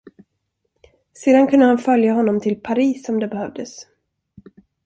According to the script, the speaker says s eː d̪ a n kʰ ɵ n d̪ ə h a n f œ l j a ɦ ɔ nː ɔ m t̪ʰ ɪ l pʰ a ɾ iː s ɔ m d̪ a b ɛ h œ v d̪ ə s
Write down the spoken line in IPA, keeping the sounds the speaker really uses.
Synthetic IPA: s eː d̪ a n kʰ ɵ n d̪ ə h a n f œ l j a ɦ ɔ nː ɔ m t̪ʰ ɪ l pʰ a ɾ iː s ɔ m d̪ ɛ b ɛ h œ v d̪ ə s